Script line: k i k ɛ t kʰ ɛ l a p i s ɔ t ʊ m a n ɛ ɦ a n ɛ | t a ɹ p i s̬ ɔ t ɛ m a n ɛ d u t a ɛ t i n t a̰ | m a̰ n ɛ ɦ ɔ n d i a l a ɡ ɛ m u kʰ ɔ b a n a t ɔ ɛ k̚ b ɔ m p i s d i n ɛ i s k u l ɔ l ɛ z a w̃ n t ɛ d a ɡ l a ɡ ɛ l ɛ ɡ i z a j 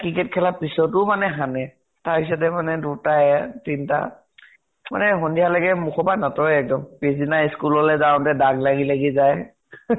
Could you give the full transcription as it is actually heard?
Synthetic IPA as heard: k i k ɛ t kʰ ɛ l a p i s ɔ t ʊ m a n ɛ ɦ a n ɛ | t a ɹ p i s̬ ɔ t ɛ m a n ɛ d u t a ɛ t i n t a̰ | m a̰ n ɛ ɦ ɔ n d i a l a ɡ ɛ m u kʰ ɔ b a n a t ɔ ɛ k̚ d ɔ m p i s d i n a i s k u l ɔ l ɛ z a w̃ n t ɛ d a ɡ l a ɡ i l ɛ ɡ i z a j